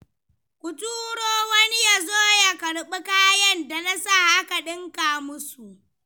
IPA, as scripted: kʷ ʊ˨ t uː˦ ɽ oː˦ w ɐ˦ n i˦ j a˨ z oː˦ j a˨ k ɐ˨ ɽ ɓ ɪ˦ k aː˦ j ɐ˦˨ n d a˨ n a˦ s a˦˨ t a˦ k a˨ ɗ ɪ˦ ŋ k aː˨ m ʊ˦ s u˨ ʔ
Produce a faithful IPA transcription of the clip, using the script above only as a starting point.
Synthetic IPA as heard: kʷ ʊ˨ t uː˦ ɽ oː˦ w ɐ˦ n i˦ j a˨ z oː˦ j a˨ k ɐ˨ ɽ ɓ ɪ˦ k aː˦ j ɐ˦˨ n d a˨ n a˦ s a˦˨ ʔ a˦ k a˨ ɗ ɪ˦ ŋ k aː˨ m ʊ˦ s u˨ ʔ